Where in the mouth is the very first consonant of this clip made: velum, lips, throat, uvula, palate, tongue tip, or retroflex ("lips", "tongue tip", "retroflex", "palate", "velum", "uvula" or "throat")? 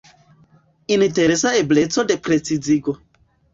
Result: tongue tip